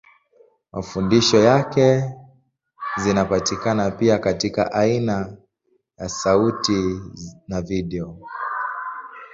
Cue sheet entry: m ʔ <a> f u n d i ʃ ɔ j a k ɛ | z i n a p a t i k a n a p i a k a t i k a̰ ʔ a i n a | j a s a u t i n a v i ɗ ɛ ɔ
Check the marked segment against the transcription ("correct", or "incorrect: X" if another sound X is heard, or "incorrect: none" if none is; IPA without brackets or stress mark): correct